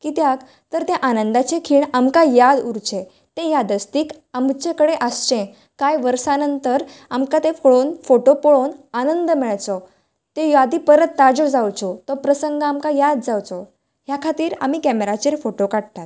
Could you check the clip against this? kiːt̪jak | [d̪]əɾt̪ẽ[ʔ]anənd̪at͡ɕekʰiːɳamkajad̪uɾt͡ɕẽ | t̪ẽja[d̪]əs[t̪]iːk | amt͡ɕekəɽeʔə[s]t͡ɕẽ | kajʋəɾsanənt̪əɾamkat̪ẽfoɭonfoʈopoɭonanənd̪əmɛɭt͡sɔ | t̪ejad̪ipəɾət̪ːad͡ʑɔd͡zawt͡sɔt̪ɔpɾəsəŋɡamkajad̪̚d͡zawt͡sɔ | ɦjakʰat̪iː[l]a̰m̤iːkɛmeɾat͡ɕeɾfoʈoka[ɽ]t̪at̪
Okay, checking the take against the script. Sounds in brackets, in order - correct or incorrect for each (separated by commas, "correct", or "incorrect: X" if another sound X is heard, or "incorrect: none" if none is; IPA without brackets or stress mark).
incorrect: t̪, correct, correct, correct, correct, incorrect: ɾ, correct